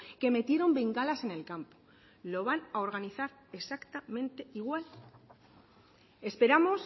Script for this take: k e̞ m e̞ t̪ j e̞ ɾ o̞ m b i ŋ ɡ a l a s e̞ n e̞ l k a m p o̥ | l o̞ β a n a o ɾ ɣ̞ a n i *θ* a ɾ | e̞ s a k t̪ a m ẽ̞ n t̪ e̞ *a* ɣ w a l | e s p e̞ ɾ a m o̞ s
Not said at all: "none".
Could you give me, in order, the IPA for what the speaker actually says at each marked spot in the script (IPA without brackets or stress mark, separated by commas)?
θ, i